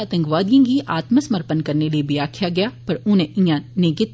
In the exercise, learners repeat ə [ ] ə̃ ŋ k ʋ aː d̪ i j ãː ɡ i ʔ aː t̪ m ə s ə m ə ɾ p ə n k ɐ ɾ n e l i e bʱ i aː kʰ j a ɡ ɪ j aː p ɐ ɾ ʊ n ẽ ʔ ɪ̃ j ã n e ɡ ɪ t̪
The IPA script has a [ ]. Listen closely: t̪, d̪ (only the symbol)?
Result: t̪